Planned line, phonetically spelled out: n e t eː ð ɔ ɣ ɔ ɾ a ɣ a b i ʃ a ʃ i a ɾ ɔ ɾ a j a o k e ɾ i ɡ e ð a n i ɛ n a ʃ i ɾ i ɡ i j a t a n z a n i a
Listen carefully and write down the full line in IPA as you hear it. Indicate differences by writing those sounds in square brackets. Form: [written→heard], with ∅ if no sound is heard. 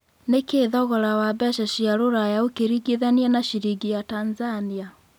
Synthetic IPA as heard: n e [t→k] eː ð ɔ ɣ ɔ ɾ a [ɣ→w] a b [i→ɛ] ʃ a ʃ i a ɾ [ɔ→o] ɾ a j a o k e ɾ i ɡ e ð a n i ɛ n a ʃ i ɾ i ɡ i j a t a n z a n i a